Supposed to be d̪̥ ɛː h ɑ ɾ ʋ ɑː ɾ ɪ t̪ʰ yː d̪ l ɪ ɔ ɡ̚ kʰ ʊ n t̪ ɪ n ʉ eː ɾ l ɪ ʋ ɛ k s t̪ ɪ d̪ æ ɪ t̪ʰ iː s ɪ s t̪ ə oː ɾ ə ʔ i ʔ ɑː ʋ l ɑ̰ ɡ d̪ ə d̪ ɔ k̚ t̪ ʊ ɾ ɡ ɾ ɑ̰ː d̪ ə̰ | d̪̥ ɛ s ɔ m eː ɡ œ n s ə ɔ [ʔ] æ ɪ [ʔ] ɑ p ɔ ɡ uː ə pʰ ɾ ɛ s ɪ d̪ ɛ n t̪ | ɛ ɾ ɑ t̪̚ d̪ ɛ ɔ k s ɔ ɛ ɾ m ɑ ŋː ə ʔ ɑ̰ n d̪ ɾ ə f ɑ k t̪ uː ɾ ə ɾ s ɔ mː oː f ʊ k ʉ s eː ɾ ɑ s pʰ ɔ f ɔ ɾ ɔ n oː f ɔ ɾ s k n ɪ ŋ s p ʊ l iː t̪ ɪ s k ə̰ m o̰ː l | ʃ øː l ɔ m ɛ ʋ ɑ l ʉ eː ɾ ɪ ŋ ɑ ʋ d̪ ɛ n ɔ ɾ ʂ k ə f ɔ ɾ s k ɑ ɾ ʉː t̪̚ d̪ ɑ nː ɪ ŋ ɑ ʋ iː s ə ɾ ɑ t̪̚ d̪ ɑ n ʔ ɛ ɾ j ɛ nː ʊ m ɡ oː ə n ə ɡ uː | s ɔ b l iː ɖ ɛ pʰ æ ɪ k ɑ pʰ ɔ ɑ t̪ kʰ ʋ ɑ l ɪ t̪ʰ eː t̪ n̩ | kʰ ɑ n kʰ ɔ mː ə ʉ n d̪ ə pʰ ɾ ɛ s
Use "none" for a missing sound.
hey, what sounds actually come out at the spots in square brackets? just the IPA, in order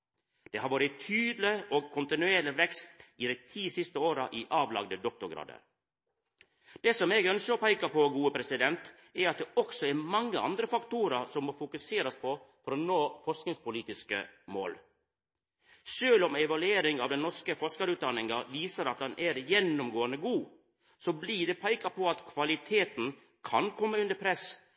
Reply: p, k

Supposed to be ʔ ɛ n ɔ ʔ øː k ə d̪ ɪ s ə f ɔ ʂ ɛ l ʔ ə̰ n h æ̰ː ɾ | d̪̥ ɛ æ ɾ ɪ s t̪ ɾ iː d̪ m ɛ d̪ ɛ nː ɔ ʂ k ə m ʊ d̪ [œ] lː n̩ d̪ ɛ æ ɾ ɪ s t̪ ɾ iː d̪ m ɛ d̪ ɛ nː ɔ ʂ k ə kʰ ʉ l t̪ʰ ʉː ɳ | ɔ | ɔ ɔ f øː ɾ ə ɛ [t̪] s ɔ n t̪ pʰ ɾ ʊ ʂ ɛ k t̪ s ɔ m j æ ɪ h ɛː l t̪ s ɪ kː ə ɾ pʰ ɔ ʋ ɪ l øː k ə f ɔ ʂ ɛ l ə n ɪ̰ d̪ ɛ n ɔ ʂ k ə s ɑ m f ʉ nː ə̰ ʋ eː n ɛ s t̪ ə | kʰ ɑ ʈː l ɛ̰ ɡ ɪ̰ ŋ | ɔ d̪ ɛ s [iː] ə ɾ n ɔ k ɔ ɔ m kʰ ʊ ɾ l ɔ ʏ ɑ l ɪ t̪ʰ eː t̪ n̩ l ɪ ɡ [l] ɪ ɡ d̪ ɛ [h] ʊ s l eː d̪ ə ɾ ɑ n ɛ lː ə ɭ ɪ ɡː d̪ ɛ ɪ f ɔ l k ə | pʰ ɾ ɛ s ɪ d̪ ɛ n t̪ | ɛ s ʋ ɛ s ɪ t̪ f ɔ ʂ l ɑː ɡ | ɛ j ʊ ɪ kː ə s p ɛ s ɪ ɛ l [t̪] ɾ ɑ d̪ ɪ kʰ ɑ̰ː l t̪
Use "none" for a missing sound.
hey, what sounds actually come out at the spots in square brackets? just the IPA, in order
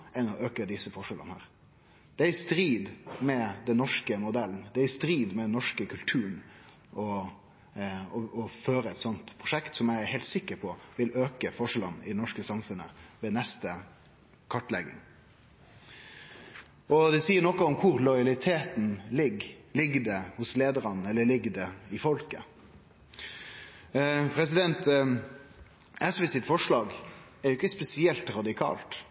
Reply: ɛ, t̪, iː, l, h, t̪

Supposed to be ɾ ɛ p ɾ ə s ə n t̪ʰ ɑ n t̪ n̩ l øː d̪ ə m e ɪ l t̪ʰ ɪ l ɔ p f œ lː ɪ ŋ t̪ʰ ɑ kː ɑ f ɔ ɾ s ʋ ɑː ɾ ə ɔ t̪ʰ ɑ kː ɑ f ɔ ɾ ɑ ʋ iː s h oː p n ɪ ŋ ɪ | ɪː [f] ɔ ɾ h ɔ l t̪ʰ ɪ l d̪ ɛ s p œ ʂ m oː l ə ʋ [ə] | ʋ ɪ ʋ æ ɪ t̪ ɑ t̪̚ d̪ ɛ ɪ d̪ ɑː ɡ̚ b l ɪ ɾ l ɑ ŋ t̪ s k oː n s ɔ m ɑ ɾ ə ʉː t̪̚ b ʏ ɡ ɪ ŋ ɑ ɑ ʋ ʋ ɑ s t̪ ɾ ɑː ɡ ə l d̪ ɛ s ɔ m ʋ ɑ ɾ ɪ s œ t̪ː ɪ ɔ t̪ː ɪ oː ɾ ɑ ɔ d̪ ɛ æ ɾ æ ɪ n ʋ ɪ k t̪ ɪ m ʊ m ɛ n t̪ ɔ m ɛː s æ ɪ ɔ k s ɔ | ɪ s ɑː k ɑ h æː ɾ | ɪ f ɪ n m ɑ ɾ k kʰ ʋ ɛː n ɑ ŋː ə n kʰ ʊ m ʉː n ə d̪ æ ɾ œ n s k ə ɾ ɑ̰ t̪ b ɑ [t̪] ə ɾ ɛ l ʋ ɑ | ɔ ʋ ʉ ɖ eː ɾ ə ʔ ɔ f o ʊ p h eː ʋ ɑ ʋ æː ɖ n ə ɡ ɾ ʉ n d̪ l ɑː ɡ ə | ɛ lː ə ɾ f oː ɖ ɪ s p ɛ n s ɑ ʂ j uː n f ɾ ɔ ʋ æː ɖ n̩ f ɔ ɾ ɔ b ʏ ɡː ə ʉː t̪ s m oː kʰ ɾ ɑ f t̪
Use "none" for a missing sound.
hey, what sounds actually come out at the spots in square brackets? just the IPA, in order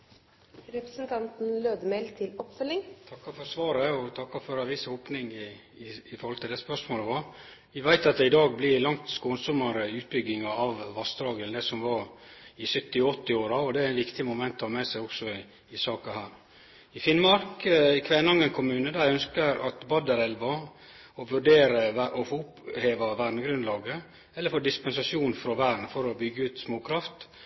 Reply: f, ɑ, d̪

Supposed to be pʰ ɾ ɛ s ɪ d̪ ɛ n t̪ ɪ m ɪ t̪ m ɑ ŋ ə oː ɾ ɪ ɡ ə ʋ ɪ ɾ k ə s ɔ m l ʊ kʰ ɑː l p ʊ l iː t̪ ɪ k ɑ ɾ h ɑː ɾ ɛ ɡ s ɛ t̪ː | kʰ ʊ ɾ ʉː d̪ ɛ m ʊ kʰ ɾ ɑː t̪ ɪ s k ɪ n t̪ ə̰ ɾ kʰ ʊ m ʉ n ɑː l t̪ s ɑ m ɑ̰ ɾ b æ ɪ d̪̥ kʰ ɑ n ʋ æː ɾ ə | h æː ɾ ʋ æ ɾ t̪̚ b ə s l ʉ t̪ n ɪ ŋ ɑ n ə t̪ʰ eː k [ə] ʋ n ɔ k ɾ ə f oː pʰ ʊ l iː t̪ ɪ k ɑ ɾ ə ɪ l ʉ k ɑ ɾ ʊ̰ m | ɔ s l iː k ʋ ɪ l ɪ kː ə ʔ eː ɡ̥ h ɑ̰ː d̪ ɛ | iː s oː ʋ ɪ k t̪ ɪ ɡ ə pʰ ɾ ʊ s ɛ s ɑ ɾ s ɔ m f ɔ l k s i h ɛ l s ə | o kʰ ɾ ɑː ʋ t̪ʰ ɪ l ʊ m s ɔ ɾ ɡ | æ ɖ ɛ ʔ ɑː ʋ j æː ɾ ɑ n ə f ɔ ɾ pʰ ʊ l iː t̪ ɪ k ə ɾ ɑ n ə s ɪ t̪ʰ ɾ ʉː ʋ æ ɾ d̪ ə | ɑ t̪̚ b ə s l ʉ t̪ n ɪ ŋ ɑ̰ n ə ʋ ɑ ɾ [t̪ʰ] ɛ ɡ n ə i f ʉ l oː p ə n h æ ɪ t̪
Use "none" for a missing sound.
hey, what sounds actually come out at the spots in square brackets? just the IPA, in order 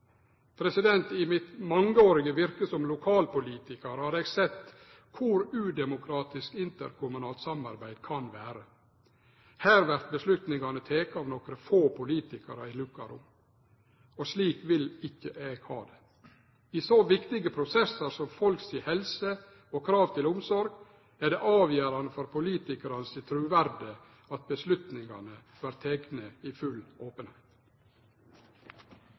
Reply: ɑ, t̪ʰ

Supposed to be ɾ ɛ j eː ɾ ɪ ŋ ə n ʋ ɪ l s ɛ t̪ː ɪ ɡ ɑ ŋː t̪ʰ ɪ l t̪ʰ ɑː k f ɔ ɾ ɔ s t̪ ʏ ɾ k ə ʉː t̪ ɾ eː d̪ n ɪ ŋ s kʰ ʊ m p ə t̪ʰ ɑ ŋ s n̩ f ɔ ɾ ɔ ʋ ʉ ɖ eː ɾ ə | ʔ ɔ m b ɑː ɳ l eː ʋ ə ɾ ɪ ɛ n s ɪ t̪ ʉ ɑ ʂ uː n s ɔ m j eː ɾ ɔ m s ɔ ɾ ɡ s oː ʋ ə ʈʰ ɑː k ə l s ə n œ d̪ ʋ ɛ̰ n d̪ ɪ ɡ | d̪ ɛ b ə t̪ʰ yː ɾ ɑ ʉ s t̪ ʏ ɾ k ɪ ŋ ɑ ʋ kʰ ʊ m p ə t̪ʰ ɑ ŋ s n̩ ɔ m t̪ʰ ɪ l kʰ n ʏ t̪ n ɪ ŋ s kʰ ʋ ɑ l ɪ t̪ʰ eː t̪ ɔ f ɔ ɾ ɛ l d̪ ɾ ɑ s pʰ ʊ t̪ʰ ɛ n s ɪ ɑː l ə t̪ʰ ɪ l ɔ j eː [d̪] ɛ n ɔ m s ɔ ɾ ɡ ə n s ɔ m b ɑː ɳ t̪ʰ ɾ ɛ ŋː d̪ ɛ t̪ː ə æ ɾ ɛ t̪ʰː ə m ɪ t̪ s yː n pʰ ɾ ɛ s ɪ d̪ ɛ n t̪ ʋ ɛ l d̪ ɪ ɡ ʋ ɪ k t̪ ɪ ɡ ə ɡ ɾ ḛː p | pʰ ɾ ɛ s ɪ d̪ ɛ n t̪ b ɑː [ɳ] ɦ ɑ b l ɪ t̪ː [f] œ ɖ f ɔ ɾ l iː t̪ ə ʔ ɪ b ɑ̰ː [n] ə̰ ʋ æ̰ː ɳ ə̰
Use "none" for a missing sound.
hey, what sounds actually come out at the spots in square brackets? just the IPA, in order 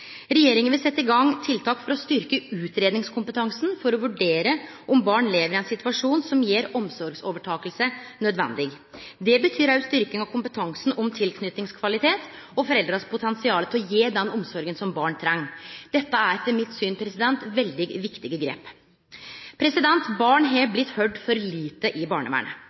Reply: d̪, ɳ, h, ɳ

